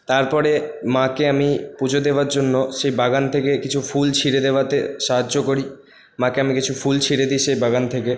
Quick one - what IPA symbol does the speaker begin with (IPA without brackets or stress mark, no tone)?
t̪